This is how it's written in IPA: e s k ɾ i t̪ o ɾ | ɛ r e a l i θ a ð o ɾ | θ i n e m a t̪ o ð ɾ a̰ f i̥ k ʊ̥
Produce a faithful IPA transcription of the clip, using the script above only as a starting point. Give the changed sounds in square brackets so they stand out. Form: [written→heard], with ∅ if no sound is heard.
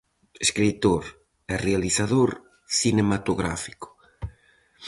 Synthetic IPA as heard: e s k ɾ i t̪ o ɾ | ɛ r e a l i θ a ð o ɾ | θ i n e m a t̪ o [ð→ɣ] ɾ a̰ f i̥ k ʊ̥